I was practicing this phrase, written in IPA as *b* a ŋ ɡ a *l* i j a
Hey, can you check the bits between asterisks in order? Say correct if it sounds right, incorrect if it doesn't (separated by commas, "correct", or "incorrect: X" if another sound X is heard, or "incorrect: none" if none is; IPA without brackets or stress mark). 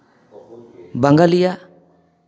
correct, correct